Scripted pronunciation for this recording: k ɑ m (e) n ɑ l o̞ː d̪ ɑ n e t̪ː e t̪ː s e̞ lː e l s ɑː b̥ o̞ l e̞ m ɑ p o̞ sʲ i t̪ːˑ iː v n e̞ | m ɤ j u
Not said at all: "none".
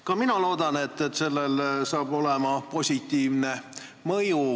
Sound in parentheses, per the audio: i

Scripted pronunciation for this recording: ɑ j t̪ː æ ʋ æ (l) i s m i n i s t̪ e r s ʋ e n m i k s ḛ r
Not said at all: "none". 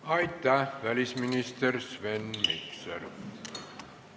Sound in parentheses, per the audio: l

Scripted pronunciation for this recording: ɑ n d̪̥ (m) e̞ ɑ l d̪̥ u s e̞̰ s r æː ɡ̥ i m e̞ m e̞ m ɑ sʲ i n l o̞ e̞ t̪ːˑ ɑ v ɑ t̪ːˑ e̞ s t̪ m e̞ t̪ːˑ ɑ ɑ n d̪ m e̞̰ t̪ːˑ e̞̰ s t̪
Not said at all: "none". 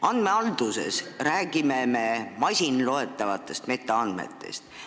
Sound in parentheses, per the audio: m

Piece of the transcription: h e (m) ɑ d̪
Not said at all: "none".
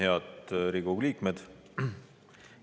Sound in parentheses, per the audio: none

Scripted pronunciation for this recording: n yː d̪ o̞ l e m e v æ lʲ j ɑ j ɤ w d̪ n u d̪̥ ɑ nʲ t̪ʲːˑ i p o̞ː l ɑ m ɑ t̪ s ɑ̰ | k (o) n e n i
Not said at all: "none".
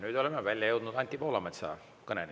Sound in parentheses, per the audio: ɤ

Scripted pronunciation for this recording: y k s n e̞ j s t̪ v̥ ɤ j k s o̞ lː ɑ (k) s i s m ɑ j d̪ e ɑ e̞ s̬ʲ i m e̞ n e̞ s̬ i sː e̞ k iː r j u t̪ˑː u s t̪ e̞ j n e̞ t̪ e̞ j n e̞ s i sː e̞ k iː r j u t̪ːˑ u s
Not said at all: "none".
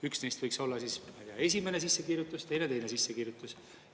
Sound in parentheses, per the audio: none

